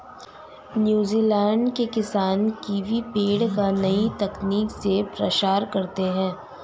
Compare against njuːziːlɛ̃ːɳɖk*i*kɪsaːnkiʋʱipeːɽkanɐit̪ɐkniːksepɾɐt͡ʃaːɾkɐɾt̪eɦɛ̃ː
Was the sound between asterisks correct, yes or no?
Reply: no